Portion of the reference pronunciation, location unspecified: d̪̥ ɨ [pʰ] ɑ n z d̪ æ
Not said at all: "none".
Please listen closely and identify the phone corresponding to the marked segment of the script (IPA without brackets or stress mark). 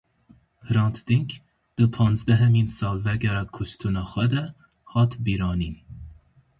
pʰ